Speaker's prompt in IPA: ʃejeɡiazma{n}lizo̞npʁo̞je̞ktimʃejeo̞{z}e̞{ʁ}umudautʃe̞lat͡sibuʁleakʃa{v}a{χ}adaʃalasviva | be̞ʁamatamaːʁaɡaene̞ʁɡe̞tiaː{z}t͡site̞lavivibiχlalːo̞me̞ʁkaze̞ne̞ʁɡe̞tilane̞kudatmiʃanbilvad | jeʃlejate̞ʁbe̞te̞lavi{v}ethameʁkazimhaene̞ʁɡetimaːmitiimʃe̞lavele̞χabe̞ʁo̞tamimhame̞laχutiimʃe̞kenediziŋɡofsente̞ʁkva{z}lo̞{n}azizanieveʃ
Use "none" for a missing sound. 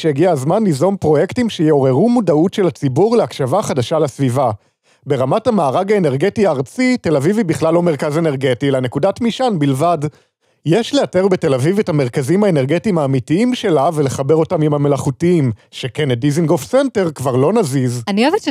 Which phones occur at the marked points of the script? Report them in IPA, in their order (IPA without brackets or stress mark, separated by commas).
n, ʁ, ʁ, v, χ, ʁ, v, ʁ, n